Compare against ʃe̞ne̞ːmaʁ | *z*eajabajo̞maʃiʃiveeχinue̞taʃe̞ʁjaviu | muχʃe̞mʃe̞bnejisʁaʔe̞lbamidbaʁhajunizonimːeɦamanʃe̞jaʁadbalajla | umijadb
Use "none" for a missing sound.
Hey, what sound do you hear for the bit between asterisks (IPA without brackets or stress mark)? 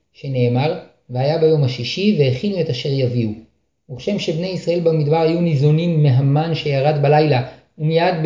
v